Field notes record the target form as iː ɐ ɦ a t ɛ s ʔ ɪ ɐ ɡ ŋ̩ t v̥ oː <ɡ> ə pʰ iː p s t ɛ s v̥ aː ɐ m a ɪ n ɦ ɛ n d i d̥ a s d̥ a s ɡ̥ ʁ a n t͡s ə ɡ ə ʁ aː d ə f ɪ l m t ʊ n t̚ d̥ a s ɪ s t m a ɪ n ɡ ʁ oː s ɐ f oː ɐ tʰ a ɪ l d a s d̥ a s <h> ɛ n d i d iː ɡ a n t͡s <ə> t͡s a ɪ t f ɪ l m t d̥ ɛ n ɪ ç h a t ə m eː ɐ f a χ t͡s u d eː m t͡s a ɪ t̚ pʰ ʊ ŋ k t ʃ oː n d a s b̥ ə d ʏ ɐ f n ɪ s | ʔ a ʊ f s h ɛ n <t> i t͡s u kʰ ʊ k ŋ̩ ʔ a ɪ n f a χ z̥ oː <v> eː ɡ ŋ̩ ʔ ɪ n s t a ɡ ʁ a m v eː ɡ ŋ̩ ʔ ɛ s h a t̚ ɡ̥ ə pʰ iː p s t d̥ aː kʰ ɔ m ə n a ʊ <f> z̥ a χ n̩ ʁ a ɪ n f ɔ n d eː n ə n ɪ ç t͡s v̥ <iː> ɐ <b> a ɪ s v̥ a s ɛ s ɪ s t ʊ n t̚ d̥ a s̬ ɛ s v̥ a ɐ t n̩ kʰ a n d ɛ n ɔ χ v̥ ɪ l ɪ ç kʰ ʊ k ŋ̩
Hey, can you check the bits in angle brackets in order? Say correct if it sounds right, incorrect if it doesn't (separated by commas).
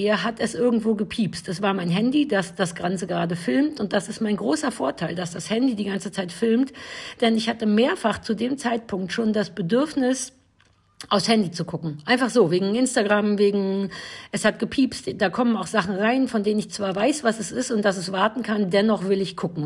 correct, correct, correct, incorrect, correct, incorrect, incorrect, incorrect